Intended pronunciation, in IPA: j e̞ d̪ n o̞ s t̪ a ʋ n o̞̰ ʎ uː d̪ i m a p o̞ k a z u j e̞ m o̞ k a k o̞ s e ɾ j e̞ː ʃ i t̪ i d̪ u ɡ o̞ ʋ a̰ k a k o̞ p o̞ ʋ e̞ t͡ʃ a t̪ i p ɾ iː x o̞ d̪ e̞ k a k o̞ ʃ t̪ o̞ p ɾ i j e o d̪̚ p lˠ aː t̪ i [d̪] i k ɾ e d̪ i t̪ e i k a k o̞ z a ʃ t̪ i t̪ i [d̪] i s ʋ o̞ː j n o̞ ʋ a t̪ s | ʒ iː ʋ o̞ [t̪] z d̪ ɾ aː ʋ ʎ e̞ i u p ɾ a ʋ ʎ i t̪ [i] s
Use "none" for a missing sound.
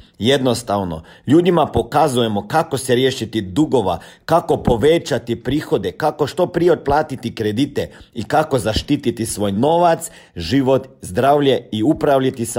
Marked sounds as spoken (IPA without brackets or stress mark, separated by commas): t̪, t̪, t̪, i